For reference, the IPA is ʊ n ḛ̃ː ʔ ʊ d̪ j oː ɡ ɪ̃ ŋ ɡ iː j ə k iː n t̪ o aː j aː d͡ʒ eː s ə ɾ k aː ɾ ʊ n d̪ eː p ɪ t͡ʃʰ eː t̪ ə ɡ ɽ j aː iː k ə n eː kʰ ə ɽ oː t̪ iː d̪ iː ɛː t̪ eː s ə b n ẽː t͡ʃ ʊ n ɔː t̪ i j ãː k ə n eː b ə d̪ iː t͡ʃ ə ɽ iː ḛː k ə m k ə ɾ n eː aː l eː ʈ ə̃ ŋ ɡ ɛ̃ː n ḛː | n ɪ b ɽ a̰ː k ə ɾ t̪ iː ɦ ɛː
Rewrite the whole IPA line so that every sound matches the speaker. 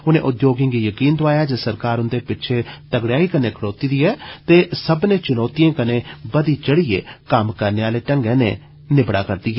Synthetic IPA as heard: ʊ n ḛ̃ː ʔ ʊ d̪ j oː ɡ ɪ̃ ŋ ɡ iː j ə k iː n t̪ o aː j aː d͡ʒ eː s ə ɾ k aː ɾ ʊ n d̪ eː p ɪ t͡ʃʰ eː t̪ ə ɡ ɽ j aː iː k ə n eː kʰ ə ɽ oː t̪ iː d̪ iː ɛː t̪ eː s ə b n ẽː t͡ʃ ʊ n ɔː t̪ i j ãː k ə n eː b ə d̪ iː t͡ʃ ə ɽ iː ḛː k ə m k ə ɾ n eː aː l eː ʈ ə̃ ŋ ɡ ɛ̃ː n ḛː | n ɪ b ɽ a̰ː k ə ɾ d̪ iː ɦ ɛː